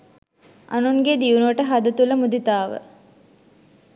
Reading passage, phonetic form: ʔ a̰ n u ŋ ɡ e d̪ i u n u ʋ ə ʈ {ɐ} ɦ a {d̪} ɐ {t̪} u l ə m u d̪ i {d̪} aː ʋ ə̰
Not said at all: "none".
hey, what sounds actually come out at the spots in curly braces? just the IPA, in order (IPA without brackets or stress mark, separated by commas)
ə, d̪, t̪, t̪